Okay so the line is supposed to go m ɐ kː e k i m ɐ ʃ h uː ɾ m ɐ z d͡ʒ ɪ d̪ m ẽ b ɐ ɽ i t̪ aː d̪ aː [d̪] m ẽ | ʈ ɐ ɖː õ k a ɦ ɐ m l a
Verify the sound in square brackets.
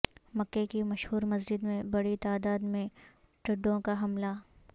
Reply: correct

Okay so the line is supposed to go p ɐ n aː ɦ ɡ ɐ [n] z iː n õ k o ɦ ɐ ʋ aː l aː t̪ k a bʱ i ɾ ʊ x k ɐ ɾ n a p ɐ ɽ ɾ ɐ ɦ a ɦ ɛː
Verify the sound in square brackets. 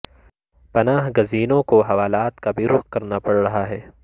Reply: incorrect: none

